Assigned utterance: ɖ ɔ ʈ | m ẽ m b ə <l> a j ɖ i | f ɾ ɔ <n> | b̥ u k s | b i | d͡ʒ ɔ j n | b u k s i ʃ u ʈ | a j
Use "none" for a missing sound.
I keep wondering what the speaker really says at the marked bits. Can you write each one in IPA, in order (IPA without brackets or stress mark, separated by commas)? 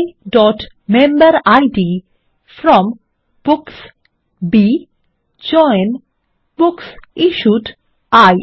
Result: ɾ, m